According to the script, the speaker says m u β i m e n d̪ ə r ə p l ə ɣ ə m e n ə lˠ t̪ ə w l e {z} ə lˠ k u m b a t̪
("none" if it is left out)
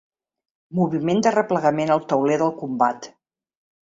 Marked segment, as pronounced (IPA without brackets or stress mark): ð